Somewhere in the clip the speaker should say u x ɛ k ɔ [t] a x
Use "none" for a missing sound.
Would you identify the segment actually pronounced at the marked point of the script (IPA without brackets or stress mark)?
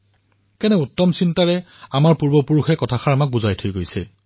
tʰ